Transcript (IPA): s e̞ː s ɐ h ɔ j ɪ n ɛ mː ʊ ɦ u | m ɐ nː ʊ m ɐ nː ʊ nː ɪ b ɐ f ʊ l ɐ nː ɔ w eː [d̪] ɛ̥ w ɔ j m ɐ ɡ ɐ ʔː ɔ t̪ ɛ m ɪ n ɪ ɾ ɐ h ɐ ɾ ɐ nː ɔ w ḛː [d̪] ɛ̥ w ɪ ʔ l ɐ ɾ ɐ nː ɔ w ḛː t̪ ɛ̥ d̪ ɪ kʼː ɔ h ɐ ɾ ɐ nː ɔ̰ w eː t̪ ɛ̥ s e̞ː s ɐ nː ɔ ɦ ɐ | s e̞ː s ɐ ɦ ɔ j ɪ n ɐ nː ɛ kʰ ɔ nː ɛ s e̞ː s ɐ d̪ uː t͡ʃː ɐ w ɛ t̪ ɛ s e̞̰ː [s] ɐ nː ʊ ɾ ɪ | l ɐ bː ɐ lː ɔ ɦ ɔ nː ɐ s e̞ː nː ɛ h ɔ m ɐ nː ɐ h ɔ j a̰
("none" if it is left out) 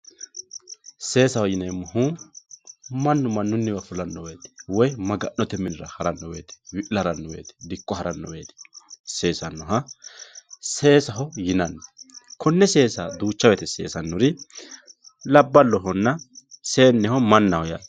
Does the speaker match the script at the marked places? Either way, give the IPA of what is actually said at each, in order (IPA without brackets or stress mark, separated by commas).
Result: t̪, t̪, s